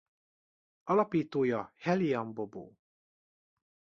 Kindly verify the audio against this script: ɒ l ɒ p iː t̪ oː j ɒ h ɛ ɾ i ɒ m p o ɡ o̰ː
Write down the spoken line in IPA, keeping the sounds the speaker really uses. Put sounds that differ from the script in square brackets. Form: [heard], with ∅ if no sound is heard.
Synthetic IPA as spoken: ɒ l ɒ p iː t̪ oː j ɒ h ɛ [l] i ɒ m [b] o [b] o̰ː